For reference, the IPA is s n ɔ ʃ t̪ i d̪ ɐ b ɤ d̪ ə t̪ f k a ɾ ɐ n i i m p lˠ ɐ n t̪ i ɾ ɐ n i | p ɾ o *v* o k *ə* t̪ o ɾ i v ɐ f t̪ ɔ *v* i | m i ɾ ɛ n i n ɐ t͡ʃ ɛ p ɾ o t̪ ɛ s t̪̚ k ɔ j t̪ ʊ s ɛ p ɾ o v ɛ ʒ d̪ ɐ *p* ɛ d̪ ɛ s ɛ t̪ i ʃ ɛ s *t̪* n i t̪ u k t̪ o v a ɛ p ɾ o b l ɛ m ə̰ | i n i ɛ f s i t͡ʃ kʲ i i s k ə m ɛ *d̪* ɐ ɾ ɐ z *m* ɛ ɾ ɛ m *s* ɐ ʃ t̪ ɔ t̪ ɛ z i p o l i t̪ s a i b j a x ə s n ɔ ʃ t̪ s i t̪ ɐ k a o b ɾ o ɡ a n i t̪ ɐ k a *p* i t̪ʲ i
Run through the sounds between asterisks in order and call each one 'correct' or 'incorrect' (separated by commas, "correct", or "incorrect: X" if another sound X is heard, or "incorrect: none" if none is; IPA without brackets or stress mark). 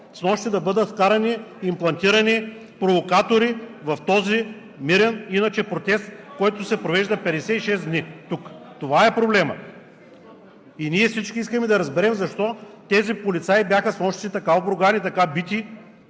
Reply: correct, incorrect: a, incorrect: z, correct, incorrect: d̪, correct, incorrect: b, incorrect: z, incorrect: b